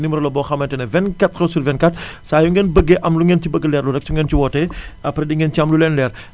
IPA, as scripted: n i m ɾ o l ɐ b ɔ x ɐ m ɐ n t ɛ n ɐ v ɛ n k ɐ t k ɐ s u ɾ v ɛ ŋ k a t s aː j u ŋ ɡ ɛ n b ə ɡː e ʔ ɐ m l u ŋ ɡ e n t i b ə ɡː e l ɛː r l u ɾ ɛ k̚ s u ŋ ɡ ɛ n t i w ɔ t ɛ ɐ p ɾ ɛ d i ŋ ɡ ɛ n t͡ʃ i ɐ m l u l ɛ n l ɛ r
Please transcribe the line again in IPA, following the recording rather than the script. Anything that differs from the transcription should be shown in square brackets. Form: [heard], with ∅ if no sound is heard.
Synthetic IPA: n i m ɾ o l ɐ b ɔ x ɐ m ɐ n t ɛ n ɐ v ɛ n k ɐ t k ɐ s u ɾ v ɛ [n] k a t s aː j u ŋ ɡ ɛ n b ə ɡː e ʔ ɐ m l u ŋ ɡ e n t i b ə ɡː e l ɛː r l u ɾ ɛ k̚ s u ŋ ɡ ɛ n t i w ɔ t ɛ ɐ p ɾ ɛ d i ŋ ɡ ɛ n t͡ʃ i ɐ m l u l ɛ n l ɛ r